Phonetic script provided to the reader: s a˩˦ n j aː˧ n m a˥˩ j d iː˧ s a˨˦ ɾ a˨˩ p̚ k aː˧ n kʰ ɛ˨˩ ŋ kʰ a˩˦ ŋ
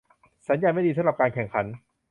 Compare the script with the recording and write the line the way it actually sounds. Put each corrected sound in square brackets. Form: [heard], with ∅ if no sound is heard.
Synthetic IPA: s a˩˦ n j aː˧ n m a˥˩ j d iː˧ s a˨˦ ɾ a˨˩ p̚ k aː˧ n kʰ ɛ˨˩ ŋ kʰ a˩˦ [n]

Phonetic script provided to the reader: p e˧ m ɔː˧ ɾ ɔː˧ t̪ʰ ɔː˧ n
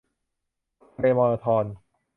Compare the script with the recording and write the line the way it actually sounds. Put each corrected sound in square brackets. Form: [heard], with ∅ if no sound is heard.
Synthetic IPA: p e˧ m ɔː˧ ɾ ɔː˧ t̪ʰ ɔː˧ n

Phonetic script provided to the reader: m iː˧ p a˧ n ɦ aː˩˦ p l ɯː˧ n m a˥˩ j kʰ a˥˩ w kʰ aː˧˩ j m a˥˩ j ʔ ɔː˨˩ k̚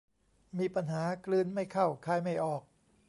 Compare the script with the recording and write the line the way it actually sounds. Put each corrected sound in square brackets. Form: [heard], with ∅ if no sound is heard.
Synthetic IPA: m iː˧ p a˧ n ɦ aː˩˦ [k] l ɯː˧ n m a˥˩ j kʰ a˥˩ w kʰ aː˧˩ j m a˥˩ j ʔ ɔː˨˩ k̚

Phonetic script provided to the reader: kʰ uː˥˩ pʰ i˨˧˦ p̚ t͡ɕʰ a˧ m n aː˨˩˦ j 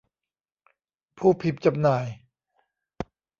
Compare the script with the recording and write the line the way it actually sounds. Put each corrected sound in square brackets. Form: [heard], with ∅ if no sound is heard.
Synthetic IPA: [pʰ] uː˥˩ pʰ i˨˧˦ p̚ [t͡ɕ] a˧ m n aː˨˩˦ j

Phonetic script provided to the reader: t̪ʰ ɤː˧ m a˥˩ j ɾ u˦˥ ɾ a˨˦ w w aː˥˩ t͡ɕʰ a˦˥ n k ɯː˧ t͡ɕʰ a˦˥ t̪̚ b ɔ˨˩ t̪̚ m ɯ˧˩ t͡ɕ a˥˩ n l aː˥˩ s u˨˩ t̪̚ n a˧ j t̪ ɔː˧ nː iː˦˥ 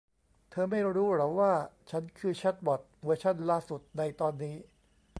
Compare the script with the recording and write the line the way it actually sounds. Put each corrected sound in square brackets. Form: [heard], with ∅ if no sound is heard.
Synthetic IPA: t̪ʰ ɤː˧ m a˥˩ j ɾ [uː˦˥] ɾ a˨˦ w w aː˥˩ t͡ɕʰ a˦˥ n [kʰ] ɯː˧ t͡ɕʰ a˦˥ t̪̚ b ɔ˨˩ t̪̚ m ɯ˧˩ [t͡ɕʰ] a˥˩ n l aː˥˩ s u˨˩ t̪̚ n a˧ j t̪ ɔː˧ nː iː˦˥

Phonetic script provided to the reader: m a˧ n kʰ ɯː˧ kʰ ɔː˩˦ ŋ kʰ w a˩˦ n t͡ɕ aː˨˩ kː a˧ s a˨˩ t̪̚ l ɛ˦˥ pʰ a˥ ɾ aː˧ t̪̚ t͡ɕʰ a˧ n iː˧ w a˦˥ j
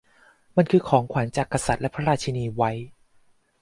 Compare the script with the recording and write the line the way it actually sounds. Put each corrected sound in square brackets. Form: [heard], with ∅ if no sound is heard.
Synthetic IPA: m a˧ n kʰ ɯː˧ kʰ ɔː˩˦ ŋ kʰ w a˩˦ n t͡ɕ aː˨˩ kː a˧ s a˨˩ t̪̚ l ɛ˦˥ pʰ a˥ ɾ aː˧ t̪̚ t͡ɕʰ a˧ n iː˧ w a˦˥ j

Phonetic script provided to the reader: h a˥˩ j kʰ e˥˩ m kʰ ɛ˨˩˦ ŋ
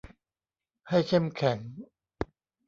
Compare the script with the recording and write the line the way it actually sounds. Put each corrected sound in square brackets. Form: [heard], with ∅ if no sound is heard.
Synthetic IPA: h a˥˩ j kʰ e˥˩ m kʰ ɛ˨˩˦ ŋ

